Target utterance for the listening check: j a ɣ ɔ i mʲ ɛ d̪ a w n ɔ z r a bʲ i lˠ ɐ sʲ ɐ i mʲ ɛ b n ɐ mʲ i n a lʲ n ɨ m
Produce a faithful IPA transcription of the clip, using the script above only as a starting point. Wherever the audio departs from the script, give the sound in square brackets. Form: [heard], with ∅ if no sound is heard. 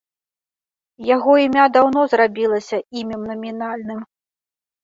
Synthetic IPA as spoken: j a ɣ ɔ i mʲ [a] d̪ a w n ɔ z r a bʲ i lˠ ɐ sʲ ɐ i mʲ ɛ [m] n ɐ mʲ i n a lʲ n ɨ m